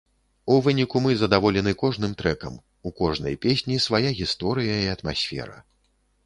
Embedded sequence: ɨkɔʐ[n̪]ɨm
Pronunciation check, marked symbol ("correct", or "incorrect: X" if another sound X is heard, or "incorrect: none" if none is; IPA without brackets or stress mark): correct